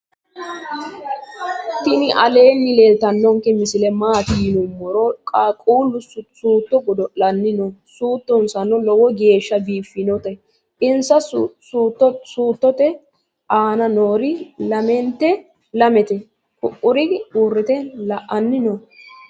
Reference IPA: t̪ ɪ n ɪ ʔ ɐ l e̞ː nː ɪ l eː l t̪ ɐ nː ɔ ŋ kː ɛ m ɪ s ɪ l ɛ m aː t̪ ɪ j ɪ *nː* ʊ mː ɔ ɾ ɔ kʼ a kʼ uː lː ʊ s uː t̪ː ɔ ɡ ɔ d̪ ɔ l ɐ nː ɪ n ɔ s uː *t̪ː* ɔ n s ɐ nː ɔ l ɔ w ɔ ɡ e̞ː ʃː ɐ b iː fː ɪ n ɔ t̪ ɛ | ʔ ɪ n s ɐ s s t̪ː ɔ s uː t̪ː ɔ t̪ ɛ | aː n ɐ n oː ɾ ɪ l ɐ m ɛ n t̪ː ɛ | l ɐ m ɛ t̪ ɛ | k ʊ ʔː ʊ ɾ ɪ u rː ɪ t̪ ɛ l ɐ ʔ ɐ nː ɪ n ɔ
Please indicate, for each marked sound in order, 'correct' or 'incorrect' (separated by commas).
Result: incorrect, correct